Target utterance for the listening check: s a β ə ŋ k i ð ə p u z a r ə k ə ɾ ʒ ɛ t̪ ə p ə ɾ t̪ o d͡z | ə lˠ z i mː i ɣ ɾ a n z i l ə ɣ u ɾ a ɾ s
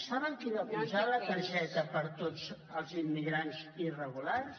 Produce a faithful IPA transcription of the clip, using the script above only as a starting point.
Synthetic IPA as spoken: s a β ə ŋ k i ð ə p u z a l ə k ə ɾ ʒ ɛ t̪ ə p ə ɾ t̪ o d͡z | ə lˠ z i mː i ɣ ɾ a n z i r ə ɣ u l a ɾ s